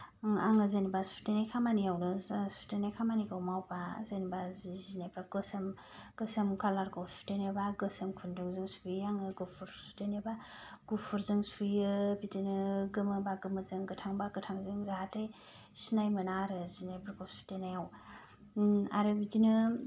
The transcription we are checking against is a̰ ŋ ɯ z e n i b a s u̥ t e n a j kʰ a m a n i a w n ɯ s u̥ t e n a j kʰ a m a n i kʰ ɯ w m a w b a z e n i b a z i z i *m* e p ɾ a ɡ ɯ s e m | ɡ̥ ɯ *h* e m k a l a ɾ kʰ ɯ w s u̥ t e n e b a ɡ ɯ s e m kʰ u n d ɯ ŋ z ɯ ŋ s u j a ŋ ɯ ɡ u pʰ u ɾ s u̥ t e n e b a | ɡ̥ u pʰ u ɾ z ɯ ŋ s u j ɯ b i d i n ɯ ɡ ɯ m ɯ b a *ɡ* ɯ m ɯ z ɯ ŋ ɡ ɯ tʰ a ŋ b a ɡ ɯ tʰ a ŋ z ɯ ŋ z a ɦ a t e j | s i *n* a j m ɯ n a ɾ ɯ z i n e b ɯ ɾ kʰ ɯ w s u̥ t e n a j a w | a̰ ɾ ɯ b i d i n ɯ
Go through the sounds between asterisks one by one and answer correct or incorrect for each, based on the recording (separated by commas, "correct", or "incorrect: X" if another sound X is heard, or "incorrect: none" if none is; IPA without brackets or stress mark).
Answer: incorrect: n, incorrect: s, correct, correct